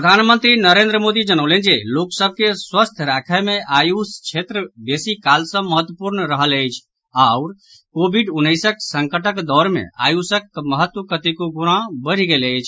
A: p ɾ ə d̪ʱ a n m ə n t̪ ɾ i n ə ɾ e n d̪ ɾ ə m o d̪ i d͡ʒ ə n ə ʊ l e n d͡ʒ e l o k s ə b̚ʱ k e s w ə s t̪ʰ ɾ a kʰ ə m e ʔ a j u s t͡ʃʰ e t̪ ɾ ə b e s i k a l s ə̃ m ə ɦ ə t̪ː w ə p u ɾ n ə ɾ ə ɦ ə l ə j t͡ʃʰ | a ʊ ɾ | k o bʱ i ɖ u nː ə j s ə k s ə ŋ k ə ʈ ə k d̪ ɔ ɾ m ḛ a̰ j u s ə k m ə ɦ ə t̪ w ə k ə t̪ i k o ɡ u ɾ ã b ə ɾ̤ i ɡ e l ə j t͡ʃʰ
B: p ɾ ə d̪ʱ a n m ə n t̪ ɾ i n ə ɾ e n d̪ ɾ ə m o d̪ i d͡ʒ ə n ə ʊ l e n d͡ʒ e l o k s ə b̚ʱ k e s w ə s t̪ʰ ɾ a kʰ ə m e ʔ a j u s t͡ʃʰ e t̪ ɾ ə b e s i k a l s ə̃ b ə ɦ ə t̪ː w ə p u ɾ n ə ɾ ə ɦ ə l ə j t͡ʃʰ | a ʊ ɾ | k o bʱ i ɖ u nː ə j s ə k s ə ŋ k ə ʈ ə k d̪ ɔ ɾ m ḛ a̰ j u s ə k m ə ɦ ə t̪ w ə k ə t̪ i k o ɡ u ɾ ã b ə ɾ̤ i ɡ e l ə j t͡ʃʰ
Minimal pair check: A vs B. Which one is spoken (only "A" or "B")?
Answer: A